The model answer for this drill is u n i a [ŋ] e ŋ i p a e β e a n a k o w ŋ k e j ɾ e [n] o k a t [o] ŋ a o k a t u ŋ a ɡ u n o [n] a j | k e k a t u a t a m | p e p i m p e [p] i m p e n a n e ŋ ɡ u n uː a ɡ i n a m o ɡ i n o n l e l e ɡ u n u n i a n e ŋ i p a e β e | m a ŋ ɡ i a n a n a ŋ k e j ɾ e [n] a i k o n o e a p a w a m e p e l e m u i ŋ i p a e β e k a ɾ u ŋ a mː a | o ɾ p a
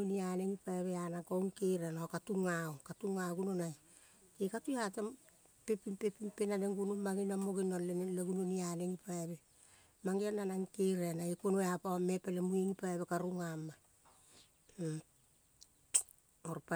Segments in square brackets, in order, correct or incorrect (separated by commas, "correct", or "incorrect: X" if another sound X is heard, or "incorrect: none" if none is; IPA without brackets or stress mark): incorrect: n, correct, incorrect: u, correct, correct, correct